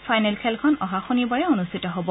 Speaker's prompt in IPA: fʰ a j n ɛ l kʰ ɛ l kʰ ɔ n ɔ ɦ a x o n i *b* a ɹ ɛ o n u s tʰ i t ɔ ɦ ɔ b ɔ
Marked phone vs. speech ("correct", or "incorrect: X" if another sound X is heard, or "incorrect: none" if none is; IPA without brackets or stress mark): correct